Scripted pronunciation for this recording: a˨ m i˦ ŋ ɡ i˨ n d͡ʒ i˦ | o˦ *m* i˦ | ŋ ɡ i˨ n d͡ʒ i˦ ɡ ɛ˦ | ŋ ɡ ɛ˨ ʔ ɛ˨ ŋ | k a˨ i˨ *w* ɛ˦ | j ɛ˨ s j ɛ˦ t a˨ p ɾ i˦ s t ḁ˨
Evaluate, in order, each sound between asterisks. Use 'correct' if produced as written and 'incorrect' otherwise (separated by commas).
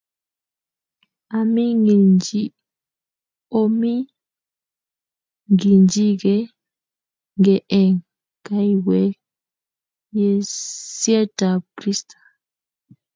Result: correct, correct